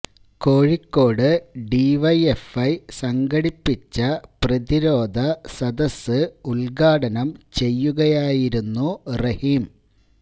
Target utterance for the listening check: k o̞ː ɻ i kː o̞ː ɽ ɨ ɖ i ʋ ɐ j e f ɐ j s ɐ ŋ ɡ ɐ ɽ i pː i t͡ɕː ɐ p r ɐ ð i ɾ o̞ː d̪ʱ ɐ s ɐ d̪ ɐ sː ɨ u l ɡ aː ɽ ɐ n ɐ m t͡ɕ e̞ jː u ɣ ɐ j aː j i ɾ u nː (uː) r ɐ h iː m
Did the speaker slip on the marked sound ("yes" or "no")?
yes